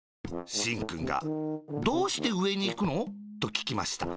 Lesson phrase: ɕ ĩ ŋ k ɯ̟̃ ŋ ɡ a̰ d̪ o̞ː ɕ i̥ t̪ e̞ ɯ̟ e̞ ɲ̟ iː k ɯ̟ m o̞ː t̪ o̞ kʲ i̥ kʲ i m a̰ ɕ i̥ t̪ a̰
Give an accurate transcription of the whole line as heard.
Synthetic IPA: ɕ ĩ ŋ k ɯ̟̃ ŋ ɡ a̰ d̪ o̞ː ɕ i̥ t̪ e̞ ɯ̟ e̞ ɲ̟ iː k ɯ̟ n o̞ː t̪ o̞ kʲ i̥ kʲ i m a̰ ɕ i̥ t̪ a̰